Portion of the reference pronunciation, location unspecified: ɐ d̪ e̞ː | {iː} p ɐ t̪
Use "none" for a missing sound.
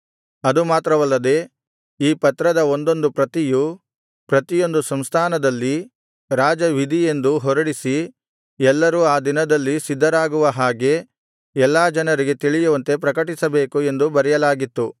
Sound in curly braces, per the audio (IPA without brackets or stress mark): iː